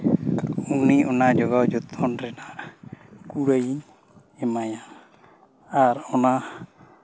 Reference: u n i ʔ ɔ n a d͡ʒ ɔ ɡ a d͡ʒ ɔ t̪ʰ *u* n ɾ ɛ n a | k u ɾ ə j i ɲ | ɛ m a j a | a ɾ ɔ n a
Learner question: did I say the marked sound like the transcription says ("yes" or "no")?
no